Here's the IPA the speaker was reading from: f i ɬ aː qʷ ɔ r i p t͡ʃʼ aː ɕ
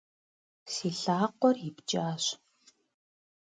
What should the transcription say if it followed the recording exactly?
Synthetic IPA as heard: s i ɬ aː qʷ ɔ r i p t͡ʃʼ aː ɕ